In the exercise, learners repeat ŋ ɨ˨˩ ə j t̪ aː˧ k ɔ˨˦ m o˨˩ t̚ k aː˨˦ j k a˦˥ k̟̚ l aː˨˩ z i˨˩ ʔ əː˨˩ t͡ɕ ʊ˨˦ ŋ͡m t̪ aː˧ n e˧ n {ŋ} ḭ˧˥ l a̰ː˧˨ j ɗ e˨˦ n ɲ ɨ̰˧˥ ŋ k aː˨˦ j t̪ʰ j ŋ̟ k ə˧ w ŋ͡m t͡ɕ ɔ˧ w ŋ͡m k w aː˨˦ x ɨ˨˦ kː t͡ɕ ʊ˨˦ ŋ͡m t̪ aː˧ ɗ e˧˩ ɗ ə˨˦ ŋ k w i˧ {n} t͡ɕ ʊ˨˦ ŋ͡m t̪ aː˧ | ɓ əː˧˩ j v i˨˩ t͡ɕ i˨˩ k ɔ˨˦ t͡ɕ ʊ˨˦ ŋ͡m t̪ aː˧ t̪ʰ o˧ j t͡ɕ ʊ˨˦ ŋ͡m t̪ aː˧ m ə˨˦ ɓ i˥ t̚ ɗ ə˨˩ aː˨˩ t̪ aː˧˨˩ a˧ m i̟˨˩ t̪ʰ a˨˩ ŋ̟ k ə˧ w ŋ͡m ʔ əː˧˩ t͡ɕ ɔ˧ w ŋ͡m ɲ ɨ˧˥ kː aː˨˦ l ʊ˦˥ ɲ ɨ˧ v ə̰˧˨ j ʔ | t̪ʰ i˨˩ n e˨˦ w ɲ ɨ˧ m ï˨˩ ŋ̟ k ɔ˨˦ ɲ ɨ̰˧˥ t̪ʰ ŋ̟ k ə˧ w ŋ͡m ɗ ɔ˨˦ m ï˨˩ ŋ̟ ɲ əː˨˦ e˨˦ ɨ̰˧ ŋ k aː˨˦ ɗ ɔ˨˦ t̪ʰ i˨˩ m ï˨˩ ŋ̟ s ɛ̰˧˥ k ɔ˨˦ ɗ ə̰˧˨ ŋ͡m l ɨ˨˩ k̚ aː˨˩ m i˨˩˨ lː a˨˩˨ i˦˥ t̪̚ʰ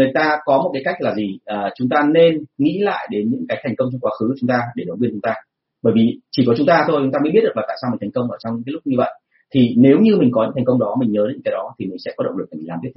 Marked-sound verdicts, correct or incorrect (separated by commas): correct, correct